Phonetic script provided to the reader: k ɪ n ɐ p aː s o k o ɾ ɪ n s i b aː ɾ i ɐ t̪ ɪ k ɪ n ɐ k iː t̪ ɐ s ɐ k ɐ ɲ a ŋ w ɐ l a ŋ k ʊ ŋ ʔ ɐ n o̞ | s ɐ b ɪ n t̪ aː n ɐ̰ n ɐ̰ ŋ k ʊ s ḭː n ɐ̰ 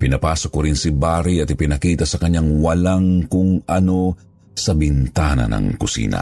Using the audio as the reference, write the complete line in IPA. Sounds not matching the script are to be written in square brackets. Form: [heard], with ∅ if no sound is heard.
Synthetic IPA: [p] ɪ n ɐ p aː s o k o ɾ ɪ n s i b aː ɾ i ɐ t̪ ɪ [p] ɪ n ɐ k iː t̪ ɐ s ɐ k ɐ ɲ a ŋ w ɐ l a ŋ k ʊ ŋ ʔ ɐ n o̞ | s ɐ b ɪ n t̪ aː n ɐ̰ n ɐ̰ ŋ k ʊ s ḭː n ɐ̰